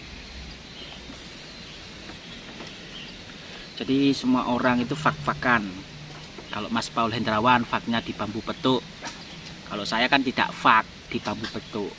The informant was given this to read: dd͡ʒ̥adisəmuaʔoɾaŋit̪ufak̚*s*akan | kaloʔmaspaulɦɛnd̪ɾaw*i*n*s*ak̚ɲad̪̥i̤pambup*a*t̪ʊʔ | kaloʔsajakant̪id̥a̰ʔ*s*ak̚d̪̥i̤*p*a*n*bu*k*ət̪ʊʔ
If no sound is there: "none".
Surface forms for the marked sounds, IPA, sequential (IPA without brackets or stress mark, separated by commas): f, a, f, ə, f, p, m, p